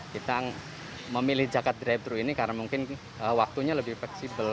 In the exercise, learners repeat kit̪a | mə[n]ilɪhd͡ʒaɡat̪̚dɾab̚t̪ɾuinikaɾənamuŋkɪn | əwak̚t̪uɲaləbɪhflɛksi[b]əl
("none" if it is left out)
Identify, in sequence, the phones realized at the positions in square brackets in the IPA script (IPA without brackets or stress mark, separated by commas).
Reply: m, b